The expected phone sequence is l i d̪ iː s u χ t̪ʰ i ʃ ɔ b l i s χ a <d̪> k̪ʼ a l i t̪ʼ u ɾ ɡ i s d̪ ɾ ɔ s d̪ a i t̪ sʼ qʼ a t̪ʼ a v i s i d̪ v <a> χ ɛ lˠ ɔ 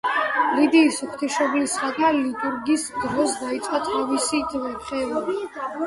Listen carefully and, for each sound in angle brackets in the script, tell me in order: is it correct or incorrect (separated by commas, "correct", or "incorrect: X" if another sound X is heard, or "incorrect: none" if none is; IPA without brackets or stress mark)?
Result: incorrect: none, incorrect: ɛ